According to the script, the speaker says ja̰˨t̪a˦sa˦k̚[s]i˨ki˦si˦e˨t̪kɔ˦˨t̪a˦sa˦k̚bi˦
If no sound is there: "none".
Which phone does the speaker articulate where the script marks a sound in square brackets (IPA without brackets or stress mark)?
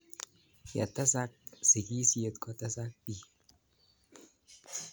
s